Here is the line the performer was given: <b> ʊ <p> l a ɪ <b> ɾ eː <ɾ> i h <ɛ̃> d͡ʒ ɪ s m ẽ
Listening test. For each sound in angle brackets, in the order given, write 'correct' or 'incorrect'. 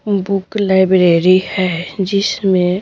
correct, incorrect, correct, correct, incorrect

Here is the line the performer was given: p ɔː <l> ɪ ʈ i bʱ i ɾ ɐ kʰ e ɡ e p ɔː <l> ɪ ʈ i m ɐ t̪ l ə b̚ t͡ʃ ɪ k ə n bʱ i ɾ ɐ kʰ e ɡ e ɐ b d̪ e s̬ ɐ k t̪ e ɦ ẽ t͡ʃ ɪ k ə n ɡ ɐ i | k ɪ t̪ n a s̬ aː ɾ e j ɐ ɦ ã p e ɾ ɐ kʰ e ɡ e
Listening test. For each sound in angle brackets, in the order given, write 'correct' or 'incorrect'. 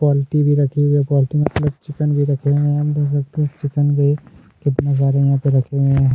correct, correct

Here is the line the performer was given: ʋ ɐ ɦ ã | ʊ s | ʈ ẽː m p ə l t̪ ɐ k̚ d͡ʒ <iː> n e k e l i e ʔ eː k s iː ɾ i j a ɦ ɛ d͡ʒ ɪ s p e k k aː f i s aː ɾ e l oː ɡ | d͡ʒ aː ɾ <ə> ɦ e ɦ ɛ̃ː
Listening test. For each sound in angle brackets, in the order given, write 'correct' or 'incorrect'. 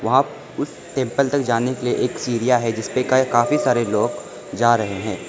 incorrect, incorrect

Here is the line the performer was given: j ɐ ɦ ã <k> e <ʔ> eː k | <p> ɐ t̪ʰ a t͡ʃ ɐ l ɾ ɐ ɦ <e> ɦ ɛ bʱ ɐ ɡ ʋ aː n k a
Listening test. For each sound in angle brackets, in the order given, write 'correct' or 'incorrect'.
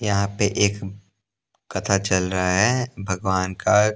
incorrect, correct, incorrect, incorrect

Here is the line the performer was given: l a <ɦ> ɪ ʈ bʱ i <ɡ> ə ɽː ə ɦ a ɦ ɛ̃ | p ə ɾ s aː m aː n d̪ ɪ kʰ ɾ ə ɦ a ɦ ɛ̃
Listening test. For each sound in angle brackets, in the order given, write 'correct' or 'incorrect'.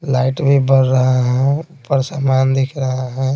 incorrect, incorrect

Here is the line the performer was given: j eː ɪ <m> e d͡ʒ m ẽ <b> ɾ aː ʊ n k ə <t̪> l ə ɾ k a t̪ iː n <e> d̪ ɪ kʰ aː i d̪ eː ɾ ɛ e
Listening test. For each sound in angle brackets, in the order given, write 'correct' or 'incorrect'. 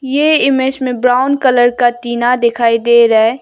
correct, correct, incorrect, incorrect

